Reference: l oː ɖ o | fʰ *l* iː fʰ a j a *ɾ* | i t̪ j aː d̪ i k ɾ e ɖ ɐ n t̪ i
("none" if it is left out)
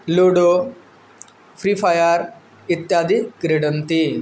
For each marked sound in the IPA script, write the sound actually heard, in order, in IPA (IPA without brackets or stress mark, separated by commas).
ɾ, ɾ